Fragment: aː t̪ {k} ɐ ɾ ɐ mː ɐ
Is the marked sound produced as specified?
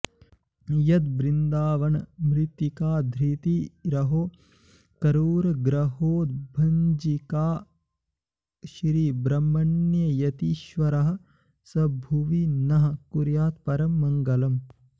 no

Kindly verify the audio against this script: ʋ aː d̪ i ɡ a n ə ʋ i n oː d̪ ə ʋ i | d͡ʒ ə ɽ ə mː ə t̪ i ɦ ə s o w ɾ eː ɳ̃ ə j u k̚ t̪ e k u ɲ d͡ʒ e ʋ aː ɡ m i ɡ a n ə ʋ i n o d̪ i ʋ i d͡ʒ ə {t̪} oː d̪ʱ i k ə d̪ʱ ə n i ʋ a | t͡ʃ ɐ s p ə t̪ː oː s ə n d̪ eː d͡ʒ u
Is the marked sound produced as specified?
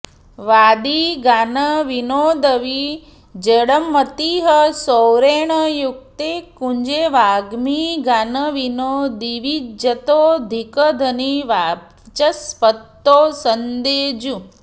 yes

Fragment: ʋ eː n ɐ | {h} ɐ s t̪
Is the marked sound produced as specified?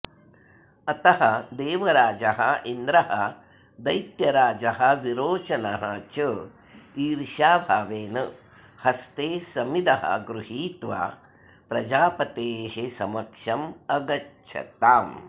yes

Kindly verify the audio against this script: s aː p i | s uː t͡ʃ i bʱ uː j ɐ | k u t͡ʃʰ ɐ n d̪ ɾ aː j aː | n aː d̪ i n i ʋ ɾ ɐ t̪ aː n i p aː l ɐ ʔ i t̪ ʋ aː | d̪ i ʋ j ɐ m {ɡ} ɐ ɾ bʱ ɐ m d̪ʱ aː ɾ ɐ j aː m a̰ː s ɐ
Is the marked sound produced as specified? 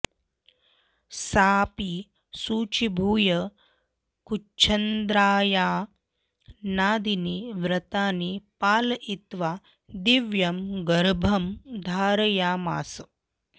yes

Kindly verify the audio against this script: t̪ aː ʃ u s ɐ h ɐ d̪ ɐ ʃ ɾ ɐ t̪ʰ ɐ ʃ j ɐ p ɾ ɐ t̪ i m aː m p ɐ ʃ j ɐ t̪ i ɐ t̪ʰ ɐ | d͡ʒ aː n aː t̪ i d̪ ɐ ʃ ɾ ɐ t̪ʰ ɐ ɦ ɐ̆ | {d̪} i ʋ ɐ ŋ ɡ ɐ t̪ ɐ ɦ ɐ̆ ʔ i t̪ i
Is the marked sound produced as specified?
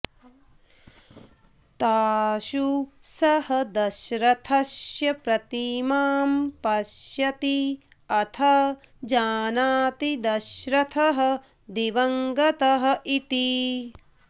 yes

